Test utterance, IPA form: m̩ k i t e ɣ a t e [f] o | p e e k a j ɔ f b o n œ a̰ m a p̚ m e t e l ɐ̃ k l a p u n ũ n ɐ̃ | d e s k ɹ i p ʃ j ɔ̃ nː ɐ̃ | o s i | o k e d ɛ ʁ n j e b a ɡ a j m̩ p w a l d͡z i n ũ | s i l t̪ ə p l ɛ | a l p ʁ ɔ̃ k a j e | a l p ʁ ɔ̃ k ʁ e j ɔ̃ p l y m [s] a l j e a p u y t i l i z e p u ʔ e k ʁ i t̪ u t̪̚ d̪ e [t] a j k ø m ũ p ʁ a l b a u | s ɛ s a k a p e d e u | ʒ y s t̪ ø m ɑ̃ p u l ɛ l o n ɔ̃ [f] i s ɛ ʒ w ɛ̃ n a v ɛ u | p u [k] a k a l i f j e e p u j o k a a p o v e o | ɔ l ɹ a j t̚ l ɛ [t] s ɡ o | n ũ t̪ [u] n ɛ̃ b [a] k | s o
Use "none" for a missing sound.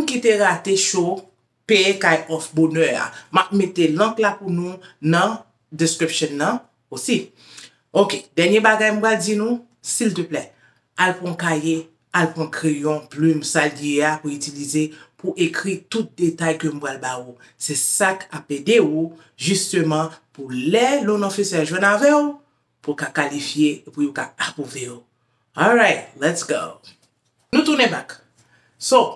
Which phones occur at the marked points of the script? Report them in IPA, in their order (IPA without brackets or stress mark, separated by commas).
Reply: ʃ, s, t, f, k, t, u, a